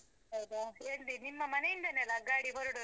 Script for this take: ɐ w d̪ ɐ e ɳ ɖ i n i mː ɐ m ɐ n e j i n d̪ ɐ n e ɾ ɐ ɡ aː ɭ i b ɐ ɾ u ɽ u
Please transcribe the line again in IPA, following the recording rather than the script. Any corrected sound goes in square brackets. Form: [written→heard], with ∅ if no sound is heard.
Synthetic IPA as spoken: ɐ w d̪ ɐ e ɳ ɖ i n i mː ɐ m ɐ n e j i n d̪ ɐ n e [ɾ→l] ɐ ɡ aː [ɭ→ɽ] i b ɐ ɾ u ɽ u